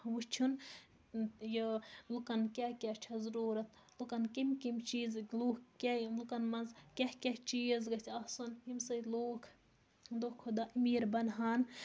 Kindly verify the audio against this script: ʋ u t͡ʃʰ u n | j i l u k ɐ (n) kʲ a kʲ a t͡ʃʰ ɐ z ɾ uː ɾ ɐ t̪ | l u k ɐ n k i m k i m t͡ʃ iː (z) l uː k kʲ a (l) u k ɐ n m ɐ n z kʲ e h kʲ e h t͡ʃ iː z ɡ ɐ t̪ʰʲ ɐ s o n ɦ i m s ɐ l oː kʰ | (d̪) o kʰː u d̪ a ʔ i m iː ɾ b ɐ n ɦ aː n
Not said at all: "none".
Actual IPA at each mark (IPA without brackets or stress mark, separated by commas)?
n, z, l, d̪